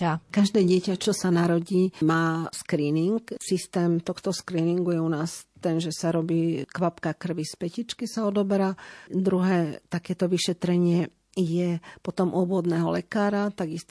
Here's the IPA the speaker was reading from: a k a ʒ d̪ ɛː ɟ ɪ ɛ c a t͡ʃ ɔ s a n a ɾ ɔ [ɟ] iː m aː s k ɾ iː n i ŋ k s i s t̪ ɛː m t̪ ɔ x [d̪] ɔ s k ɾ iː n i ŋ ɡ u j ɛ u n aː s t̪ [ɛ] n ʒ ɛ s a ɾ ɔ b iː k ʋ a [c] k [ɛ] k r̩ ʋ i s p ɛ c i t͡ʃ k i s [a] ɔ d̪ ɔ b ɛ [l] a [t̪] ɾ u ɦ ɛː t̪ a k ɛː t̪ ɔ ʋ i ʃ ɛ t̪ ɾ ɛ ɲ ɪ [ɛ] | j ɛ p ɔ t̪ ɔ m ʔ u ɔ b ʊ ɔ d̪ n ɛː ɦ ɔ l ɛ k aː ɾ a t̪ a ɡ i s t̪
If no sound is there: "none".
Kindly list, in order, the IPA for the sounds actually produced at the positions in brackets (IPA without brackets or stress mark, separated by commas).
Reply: ɟ, t̪, ɛ, p, a, a, ɾ, d̪, ɛ